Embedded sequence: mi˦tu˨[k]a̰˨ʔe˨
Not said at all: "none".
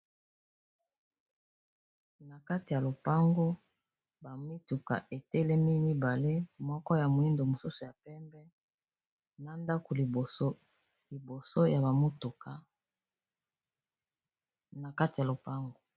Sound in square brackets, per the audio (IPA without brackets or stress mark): k